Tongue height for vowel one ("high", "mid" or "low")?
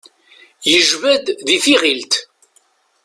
mid